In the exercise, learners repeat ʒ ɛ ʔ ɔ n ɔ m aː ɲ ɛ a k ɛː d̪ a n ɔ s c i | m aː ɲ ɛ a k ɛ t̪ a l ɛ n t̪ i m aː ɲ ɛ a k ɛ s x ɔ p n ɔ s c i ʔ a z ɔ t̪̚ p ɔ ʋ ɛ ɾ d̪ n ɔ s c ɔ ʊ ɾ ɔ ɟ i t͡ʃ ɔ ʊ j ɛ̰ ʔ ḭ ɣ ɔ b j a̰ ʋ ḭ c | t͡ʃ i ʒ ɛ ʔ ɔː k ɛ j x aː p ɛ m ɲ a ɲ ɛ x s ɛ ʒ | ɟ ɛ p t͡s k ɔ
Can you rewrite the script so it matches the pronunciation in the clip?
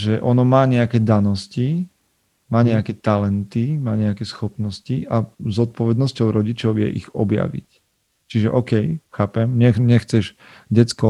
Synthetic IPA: ʒ ɛ ʔ ɔ n ɔ m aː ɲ ɛ a k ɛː d̪ a n ɔ s c i | m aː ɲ ɛ a k ɛ t̪ a l ɛ n t̪ i m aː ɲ ɛ a k ɛ s x ɔ p n ɔ s c i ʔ a z ɔ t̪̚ p ɔ ʋ ɛ d̪ n ɔ s c ɔ ʊ ɾ ɔ ɟ i t͡ʃ ɔ ʊ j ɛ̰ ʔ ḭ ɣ ɔ b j a̰ ʋ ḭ c | t͡ʃ i ʒ ɛ ʔ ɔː k ɛ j x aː p ɛ m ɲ ɛ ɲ ɛ x t͡s ɛ ʒ | ɟ ɛ t͡s k ɔ